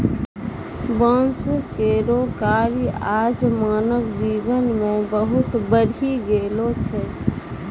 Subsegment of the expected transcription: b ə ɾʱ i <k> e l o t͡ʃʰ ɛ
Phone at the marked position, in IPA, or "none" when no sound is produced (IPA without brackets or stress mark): ɡ